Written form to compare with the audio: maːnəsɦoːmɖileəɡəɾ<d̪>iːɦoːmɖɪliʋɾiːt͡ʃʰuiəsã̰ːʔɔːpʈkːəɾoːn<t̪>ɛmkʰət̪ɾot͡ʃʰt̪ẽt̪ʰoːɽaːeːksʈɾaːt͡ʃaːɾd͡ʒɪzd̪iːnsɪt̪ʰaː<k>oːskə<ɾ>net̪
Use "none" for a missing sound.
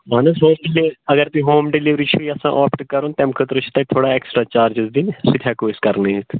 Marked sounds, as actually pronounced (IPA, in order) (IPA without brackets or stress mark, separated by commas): t̪, t̪, k, ɾ